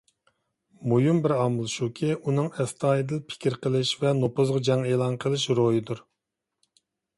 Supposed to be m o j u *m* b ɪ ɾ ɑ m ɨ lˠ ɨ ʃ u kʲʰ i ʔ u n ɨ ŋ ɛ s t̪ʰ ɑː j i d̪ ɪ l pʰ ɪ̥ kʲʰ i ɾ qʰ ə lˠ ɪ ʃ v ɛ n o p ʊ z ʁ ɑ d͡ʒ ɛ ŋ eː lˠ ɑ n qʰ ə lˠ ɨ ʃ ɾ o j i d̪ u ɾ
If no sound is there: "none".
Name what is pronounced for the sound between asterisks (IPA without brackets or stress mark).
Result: m